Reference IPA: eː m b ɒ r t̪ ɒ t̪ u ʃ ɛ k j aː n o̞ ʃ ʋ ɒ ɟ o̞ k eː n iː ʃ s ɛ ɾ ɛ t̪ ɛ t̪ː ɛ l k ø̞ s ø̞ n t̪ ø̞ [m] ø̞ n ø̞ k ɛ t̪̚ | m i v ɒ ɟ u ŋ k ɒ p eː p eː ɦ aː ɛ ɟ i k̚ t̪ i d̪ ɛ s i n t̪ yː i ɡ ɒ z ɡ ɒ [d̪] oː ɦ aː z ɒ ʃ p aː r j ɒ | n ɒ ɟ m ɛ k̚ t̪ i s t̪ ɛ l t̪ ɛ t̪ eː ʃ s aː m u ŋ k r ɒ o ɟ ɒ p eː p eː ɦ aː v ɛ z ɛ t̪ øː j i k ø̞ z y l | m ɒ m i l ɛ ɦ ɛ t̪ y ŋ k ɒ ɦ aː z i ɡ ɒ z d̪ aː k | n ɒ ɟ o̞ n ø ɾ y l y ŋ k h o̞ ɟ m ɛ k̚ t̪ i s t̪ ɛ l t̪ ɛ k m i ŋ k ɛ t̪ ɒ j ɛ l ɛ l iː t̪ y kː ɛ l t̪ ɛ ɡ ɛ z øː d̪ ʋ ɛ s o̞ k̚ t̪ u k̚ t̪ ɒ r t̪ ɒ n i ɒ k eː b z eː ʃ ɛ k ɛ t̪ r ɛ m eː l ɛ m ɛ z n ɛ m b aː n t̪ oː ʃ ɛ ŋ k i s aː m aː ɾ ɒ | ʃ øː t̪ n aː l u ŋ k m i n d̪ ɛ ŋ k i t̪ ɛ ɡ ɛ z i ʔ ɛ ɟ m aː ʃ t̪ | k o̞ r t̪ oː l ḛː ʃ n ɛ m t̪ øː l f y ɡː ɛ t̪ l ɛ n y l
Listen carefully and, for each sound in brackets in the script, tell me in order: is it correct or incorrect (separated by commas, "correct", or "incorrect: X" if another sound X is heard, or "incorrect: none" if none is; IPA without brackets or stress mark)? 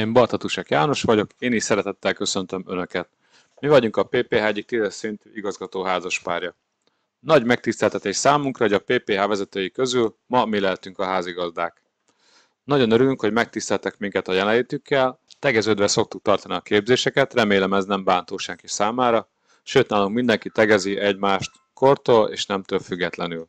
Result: correct, incorrect: t̪